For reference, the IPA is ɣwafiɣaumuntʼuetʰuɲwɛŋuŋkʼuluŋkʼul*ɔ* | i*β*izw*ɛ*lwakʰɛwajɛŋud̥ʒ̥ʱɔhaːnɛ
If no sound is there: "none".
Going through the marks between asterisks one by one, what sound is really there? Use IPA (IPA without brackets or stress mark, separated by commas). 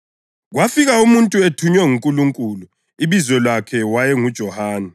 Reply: u, β, ɛ